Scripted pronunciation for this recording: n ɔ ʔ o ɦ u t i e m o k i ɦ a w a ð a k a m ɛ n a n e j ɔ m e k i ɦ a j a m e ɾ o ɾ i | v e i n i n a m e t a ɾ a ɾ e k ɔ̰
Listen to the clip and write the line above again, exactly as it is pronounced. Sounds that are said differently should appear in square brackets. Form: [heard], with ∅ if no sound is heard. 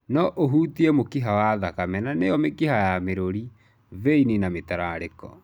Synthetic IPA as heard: n ɔ ʔ o ɦ u t i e m o k i ɦ a w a ð a k a m ɛ n a n e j ɔ m e k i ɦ a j a m e ɾ o ɾ i | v e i n i n a m e t a ɾ a ɾ e k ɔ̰